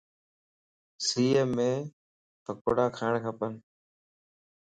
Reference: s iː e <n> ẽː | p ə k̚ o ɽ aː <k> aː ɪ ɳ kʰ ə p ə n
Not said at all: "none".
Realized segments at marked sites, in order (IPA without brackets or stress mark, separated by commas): m, kʰ